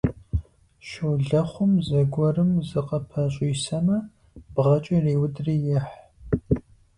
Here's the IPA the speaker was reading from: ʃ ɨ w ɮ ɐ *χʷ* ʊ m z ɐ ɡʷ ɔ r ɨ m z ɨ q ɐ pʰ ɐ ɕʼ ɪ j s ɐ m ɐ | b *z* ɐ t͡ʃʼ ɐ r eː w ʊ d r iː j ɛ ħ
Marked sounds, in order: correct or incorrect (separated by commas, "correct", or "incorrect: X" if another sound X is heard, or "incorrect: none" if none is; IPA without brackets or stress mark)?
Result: correct, incorrect: ʁ